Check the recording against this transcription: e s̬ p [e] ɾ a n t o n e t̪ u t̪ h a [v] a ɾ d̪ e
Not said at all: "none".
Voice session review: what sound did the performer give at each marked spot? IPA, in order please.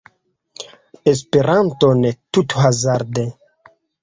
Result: e, z

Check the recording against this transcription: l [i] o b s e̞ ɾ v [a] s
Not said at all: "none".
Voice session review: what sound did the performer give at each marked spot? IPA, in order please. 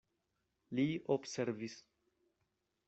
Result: i, i

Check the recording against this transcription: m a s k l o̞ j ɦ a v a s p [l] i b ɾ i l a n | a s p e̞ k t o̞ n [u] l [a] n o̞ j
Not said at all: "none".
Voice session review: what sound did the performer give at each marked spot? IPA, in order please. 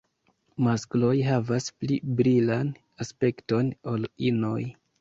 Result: l, o, i

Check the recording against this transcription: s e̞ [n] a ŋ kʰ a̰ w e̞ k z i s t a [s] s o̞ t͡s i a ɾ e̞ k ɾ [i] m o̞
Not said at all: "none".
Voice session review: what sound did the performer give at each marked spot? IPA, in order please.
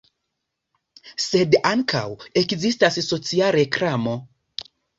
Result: d, s, a

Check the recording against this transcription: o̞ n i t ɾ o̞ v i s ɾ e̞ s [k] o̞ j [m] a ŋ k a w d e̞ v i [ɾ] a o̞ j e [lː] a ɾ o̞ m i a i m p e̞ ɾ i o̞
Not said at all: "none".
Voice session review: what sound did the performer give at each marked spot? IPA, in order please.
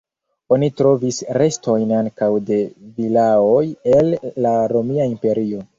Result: t, n, l, lː

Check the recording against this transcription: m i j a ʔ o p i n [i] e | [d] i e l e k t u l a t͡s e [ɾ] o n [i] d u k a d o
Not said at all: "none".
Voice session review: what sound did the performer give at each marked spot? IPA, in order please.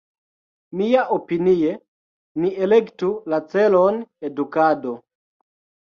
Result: i, n, l, e

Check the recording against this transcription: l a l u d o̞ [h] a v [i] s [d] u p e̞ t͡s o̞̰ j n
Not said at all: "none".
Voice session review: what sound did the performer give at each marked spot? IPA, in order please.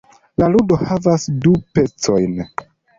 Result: h, a, d

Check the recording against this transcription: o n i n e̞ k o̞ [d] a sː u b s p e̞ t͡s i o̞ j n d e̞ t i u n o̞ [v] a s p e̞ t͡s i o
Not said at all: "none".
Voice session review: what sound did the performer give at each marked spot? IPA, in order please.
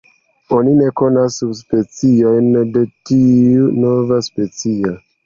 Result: n, v

